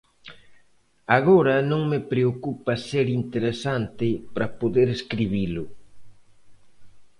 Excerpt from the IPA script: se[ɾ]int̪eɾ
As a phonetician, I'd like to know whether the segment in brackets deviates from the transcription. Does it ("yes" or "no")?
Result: no